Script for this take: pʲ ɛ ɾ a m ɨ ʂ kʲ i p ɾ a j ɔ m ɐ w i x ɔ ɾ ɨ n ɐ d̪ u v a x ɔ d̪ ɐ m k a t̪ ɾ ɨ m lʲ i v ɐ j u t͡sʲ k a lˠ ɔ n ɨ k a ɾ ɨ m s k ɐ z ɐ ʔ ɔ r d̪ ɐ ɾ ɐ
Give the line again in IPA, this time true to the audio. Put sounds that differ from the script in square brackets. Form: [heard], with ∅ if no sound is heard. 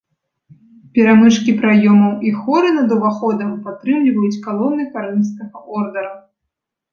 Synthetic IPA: pʲ ɛ ɾ a m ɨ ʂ kʲ i p ɾ a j ɔ m ɐ w i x ɔ ɾ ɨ n ɐ d̪ u v a x ɔ d̪ ɐ m [p] a t̪ ɾ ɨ m lʲ i v ɐ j u t͡sʲ k a lˠ ɔ n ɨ k a ɾ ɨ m s k ɐ [ɣ] ɐ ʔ ɔ r d̪ ɐ ɾ ɐ